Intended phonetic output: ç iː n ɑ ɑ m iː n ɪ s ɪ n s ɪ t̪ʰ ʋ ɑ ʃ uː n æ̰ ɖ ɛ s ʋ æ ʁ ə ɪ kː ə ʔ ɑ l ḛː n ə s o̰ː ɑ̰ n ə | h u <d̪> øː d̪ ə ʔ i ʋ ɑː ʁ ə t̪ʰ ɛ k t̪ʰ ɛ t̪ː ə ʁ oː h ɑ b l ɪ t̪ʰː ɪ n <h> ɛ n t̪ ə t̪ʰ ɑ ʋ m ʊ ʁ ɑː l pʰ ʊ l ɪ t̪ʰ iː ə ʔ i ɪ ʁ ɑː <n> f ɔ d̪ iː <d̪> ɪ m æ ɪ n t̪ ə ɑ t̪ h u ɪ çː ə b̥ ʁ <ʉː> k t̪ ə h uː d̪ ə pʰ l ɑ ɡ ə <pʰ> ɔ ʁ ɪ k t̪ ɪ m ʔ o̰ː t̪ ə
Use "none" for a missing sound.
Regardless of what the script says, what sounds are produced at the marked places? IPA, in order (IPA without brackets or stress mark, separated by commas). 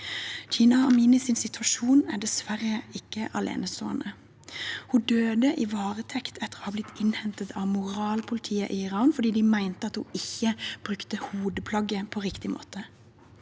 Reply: d̪, h, n, d̪, ʉ, pʰ